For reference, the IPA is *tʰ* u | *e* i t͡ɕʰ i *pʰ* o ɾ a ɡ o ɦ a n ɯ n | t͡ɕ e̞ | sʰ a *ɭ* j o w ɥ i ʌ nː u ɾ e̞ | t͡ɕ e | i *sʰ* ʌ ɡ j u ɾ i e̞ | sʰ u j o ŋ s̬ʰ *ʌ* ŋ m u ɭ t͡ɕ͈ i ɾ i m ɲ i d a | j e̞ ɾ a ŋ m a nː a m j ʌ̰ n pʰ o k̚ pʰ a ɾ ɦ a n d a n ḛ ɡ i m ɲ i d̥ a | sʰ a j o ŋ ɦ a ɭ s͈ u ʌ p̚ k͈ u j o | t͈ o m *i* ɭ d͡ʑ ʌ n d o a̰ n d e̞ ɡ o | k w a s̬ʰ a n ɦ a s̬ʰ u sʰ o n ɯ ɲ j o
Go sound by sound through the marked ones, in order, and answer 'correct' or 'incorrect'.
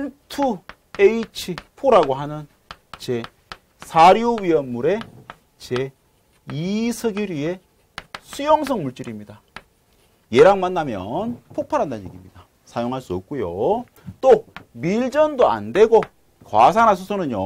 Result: correct, correct, correct, incorrect, correct, correct, correct

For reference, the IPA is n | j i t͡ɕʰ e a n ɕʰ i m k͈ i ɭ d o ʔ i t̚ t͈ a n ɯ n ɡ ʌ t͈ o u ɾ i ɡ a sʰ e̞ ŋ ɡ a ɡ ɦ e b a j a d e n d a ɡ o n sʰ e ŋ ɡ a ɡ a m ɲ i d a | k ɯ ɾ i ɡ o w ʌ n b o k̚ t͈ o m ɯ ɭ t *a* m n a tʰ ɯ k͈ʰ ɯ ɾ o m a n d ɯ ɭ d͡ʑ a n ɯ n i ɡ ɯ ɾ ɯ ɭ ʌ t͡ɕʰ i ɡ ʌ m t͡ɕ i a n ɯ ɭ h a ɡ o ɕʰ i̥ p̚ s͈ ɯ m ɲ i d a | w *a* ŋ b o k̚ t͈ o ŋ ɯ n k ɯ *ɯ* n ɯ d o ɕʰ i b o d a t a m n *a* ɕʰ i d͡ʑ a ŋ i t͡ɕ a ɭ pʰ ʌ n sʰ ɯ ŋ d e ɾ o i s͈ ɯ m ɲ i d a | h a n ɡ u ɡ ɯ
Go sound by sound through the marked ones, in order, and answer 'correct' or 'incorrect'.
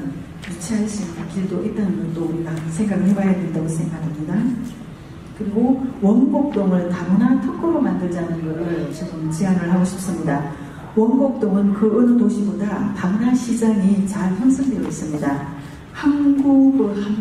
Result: correct, incorrect, correct, correct

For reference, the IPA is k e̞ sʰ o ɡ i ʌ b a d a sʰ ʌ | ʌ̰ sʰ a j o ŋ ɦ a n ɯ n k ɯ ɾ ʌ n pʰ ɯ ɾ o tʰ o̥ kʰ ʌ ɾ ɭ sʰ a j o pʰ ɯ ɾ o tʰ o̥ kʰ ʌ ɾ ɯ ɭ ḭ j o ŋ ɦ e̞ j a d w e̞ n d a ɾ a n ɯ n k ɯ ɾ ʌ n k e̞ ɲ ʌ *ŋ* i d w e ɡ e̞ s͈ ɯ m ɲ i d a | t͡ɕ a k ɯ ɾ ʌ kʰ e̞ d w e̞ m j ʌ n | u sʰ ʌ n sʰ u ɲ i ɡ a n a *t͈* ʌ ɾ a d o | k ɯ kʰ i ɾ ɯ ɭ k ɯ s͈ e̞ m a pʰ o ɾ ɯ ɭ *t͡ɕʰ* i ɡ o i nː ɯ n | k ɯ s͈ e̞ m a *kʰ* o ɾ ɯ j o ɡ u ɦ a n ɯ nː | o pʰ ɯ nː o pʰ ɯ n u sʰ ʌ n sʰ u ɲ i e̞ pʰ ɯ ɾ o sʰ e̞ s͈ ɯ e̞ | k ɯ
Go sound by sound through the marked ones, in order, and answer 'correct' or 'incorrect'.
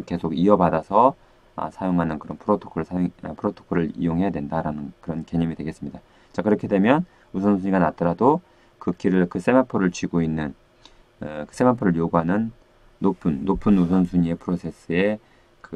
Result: incorrect, correct, incorrect, incorrect

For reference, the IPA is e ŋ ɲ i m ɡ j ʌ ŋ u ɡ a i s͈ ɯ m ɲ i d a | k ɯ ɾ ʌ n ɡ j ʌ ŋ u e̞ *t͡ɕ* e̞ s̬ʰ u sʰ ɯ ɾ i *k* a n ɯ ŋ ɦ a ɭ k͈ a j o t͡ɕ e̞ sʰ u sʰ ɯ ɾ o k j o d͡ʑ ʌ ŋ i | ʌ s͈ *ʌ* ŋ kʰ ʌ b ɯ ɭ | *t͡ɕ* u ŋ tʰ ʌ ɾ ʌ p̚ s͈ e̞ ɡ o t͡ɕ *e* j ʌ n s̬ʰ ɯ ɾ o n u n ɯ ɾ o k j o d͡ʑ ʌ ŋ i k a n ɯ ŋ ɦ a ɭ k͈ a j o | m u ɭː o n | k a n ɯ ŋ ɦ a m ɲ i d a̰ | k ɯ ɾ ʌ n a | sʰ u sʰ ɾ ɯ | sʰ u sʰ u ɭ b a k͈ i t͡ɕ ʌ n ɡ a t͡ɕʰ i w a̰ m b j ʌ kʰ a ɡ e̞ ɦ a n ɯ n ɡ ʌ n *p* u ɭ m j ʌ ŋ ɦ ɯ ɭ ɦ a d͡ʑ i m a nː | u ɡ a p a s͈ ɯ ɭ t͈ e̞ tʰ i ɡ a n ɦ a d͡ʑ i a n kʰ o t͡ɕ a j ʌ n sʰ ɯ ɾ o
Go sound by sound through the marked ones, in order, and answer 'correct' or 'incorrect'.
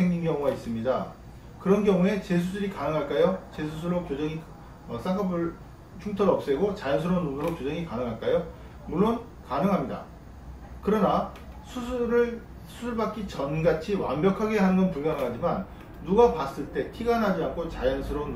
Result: correct, correct, incorrect, incorrect, incorrect, correct

